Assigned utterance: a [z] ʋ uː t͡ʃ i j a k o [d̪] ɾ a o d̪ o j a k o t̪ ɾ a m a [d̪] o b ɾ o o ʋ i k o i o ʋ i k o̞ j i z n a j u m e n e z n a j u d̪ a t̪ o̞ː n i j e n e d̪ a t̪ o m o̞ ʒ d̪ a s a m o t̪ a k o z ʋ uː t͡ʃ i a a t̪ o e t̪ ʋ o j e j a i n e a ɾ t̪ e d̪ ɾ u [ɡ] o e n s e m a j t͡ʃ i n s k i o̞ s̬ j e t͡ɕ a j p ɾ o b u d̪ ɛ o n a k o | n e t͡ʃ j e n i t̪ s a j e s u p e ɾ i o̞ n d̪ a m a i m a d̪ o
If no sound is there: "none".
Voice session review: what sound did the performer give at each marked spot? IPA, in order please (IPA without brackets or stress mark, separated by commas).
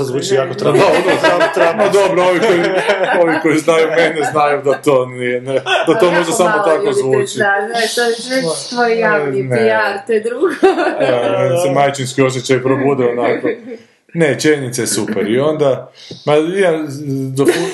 z, t̪, d̪, ɡ